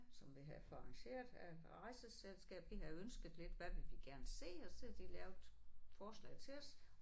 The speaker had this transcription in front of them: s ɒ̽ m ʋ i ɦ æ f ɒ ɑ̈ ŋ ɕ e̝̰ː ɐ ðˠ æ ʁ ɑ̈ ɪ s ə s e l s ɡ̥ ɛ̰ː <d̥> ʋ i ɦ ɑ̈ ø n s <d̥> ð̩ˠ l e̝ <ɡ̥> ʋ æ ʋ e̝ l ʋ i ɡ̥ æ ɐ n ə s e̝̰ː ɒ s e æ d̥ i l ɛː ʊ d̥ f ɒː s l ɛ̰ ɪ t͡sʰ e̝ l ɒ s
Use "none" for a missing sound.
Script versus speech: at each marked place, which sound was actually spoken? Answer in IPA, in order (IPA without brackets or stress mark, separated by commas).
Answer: b̥, ɡ̥, d̥